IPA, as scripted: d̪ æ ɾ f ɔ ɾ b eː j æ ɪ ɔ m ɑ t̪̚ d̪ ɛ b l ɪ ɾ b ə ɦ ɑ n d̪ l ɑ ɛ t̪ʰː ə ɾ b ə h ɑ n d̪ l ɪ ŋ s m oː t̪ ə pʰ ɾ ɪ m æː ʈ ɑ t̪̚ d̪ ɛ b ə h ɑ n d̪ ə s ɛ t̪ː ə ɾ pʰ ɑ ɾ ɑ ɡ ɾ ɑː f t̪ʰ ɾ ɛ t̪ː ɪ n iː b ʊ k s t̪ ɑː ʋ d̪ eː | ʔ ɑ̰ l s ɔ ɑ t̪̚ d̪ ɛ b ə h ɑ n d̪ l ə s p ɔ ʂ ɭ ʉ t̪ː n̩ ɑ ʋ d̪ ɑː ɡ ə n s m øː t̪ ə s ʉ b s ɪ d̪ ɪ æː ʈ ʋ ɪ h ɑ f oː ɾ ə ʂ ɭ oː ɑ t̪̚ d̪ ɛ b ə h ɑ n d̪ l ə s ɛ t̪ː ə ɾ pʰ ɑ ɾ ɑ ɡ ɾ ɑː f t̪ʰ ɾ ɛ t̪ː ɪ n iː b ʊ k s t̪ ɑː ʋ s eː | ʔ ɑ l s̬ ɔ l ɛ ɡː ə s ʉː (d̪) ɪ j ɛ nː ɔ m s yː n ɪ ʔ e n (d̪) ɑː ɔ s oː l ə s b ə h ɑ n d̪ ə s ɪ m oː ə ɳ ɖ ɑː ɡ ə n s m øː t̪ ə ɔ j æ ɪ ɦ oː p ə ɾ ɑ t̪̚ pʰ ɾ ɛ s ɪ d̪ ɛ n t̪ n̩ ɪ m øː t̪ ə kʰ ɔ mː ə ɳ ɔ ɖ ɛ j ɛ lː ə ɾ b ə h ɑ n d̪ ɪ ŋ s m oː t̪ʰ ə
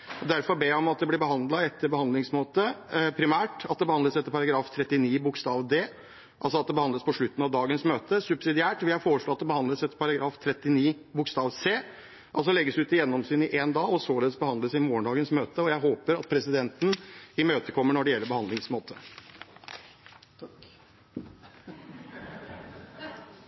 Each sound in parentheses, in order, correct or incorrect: incorrect, correct

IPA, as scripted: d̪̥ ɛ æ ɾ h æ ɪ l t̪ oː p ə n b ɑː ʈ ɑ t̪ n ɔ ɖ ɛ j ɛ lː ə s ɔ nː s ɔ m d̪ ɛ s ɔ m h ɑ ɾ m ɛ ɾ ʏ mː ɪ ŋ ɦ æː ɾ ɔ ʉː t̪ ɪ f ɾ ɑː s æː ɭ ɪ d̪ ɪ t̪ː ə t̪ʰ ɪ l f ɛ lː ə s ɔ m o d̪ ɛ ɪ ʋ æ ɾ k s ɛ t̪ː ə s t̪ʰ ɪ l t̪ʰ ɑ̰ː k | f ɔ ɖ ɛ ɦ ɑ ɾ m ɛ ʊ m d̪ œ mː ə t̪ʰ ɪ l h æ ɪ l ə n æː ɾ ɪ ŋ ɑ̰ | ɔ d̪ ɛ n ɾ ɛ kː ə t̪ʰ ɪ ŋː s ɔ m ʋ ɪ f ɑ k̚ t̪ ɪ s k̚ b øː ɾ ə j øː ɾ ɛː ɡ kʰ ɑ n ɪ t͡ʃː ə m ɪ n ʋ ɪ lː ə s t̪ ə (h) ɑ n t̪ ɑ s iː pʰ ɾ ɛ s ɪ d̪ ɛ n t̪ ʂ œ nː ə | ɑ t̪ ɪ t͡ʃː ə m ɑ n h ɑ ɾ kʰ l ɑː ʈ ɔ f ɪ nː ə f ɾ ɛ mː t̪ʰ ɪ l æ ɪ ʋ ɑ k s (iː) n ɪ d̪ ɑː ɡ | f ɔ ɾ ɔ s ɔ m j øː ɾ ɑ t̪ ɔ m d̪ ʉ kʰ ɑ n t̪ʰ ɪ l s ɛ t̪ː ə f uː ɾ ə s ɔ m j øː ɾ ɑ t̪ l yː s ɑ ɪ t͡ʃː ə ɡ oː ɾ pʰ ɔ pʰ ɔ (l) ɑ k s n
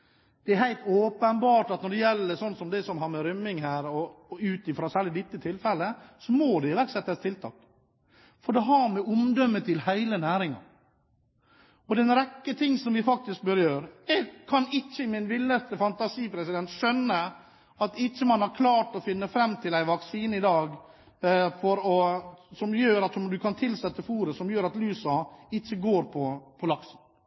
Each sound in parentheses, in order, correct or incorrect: incorrect, correct, correct

